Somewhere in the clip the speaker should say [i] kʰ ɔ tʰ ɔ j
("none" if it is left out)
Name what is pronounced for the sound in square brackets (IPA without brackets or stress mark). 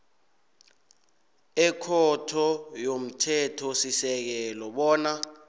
ɛ